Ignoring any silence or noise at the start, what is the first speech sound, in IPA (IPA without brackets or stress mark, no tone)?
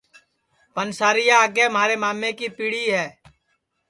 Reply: p